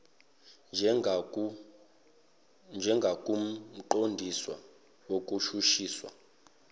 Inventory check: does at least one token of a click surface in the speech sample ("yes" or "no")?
yes